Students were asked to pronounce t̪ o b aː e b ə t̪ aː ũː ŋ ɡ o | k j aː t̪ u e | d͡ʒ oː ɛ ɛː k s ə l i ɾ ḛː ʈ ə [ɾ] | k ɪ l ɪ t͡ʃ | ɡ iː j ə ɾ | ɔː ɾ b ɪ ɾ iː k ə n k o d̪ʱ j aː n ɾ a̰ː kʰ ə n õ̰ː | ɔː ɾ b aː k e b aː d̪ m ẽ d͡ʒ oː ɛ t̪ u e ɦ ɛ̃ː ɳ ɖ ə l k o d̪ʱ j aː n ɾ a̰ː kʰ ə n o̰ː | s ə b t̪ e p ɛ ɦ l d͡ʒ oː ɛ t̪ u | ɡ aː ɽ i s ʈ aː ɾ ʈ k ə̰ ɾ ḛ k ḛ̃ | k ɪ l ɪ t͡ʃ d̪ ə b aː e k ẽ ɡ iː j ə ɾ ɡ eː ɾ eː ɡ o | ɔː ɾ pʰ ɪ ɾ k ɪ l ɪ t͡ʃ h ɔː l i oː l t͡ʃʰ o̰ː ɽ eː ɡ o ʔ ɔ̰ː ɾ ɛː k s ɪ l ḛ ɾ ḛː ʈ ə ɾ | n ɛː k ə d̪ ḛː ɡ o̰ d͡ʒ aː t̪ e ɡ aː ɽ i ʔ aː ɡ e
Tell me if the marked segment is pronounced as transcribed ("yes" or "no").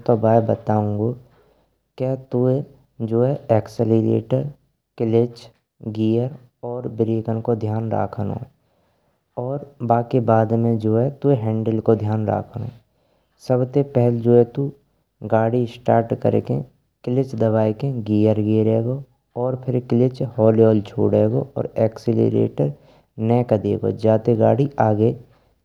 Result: yes